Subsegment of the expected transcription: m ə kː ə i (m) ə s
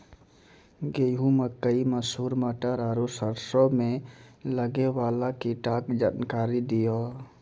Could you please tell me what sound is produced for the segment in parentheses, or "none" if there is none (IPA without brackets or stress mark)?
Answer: m